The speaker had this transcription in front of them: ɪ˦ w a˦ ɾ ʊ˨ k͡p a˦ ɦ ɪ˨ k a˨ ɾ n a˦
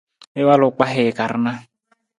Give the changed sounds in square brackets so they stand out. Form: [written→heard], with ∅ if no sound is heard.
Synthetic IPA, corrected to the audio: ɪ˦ w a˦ [ɾ→l] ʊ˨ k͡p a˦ ɦ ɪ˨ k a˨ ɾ n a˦